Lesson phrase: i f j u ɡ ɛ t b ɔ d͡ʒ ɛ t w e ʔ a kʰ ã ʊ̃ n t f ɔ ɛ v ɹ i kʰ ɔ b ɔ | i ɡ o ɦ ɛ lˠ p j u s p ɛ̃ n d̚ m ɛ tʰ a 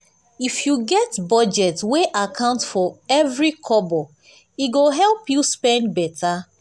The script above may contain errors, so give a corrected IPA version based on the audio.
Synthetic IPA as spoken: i f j u ɡ ɛ t b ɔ d͡ʒ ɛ t w e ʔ a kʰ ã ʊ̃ n t f ɔ ɛ v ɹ i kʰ ɔ b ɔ | i ɡ o ɦ ɛ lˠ p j u s p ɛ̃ n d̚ b ɛ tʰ a